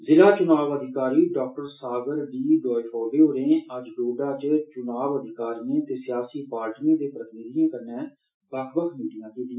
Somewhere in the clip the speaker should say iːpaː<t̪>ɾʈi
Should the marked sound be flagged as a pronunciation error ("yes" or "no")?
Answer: yes